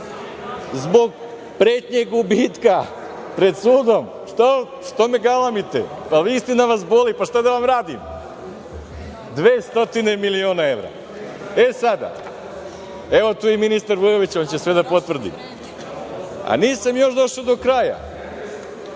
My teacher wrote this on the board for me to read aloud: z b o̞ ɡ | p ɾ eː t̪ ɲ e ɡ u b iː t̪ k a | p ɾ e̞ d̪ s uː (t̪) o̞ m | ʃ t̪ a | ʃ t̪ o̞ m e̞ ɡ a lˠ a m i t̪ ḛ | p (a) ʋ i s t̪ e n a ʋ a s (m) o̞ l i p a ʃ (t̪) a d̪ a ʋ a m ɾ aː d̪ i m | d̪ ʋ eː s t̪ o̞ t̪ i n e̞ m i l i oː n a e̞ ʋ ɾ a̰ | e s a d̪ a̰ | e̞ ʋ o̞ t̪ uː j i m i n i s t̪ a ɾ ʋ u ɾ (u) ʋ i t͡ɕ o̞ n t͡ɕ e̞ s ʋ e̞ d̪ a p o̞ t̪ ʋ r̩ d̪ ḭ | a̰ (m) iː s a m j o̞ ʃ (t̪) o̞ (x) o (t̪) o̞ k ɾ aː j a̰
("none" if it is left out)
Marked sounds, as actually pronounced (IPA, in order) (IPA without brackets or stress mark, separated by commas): d̪, a, b, t̪, o, n, d̪, ʃ, d̪